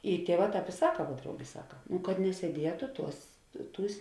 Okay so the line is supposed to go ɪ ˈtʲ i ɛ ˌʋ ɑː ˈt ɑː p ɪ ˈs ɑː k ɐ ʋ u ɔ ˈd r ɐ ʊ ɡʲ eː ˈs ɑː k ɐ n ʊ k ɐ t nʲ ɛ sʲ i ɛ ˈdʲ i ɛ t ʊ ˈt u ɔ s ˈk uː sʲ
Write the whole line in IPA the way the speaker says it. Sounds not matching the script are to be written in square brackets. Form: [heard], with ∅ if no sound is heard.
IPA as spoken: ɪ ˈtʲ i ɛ ˌʋ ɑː ˈt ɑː p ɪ ˈs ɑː k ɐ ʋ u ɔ ˈd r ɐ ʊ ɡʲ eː ˈs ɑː k ɐ n ʊ k ɐ t nʲ ɛ sʲ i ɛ ˈdʲ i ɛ t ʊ ˈt u ɔ s [ˈt] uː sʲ